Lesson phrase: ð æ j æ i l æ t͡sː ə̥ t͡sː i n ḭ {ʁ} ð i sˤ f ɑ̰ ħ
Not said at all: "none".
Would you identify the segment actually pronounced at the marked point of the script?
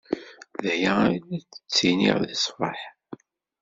ʁ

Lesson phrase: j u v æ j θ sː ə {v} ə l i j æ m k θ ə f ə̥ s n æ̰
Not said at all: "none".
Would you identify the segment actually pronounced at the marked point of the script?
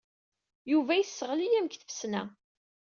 ʁ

